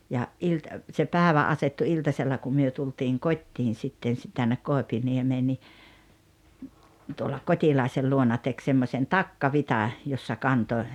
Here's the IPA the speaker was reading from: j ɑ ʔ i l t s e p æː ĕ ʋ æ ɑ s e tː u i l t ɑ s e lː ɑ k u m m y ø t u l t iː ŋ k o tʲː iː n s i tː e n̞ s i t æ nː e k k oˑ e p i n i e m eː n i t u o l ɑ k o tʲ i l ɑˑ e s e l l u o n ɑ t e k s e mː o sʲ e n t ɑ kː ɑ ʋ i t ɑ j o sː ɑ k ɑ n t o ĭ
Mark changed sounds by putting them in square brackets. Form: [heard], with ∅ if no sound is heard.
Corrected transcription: j ɑ ʔ i l t s e p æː ĕ ʋ æ ɑ s e tː u i l t ɑ s e lː ɑ k u m m y ø t u l t iː ŋ k o tʲː iː n s i tː e n̞ s i t æ nː e k k oˑ e p i n i e m eː n i t u o l ɑ k o tʲ i l ɑˑ e s e l l u o n ɑ t e k s e mː o sʲ e n t ɑ kː ɑ ʋ i t ɑ j o sː ɑ k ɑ n t o ĭ